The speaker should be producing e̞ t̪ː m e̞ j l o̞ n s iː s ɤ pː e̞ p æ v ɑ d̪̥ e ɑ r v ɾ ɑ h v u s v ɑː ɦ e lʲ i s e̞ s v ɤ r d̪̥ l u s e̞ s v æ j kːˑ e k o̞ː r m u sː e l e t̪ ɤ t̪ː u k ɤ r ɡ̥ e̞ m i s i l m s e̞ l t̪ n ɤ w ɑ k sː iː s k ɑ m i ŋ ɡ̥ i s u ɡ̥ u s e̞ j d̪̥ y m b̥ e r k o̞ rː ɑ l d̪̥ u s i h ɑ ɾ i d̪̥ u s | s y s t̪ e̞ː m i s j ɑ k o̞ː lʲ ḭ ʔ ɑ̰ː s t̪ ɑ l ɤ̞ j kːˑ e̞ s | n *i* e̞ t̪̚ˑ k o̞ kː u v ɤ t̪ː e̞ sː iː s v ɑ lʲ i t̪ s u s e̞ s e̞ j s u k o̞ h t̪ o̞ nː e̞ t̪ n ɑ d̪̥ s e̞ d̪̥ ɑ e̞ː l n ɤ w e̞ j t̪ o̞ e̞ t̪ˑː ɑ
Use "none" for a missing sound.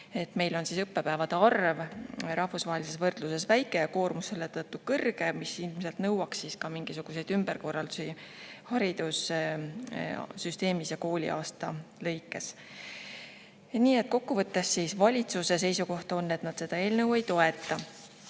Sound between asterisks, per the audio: iː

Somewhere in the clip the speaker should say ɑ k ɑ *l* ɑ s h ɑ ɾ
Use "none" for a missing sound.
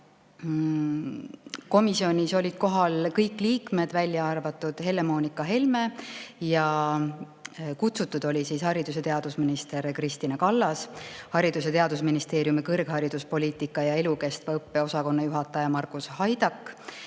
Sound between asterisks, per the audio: lː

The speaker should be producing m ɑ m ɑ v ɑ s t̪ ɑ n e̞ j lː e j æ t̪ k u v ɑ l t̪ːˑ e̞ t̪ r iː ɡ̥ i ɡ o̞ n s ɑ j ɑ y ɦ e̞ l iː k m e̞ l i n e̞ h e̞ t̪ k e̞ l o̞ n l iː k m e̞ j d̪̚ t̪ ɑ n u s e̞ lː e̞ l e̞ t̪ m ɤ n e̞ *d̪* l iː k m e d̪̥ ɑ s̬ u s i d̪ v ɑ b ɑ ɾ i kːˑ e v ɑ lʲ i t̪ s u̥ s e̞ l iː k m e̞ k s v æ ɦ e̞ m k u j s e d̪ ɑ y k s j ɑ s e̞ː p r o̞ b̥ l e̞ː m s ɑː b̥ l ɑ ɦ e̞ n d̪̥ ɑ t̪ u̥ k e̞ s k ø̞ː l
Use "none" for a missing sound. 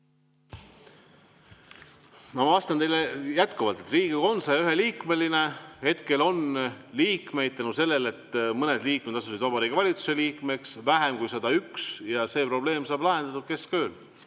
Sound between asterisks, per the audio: d̪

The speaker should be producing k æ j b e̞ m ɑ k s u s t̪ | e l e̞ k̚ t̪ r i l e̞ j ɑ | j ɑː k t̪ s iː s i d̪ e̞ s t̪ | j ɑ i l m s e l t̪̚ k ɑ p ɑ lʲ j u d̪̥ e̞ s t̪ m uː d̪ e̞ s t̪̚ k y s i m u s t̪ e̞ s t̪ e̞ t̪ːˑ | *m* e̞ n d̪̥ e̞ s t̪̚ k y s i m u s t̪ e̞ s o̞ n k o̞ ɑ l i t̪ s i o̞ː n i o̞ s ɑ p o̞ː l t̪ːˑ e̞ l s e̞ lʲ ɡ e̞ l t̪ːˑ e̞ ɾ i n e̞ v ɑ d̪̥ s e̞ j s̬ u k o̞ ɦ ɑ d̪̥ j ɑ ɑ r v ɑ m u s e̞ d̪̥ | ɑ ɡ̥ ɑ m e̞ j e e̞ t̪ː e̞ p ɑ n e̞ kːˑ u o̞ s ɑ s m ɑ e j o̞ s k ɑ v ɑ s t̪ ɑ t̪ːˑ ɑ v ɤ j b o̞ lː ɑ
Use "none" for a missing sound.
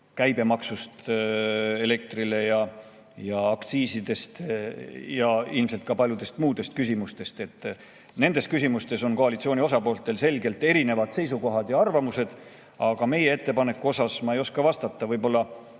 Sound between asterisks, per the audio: n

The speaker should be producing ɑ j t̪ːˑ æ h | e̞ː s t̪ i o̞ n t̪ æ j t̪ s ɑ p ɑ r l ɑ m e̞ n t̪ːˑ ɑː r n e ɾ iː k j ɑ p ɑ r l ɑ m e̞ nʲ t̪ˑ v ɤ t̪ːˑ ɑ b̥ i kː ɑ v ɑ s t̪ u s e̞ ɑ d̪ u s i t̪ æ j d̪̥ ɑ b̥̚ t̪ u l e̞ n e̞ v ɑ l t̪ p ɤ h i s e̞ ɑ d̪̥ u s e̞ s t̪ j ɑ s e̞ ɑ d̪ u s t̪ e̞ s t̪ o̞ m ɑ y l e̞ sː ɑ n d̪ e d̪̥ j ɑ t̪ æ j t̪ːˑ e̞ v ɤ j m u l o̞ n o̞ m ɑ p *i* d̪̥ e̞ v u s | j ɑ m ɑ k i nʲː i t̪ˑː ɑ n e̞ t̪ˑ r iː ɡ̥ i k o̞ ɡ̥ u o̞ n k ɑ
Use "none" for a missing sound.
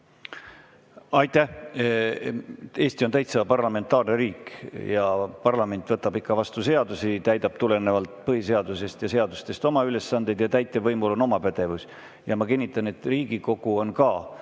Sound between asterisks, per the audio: æ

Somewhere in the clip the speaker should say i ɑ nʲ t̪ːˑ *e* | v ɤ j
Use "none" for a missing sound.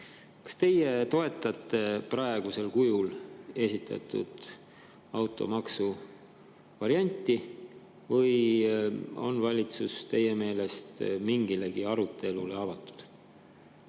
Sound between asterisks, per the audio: i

